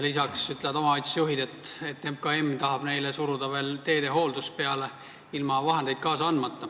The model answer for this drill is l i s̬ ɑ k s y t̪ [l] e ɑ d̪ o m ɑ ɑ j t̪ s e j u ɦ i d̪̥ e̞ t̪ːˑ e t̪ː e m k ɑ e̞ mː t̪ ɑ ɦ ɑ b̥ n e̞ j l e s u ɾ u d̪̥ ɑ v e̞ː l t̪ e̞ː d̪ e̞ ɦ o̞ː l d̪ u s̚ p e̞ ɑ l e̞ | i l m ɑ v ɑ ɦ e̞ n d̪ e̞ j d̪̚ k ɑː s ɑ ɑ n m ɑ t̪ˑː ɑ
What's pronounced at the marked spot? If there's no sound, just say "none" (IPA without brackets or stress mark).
l